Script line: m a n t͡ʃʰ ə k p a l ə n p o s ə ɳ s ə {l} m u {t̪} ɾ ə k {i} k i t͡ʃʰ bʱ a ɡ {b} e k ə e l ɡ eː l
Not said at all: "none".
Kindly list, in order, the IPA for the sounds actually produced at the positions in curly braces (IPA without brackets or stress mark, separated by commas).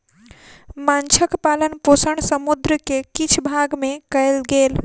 none, d̪, e, m